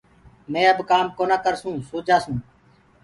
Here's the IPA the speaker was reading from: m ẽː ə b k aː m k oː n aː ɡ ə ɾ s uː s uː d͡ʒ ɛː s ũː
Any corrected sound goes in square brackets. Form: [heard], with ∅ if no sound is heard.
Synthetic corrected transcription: m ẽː ə b k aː m k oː n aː [k] ə ɾ s [ũː] s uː d͡ʒ [aː] s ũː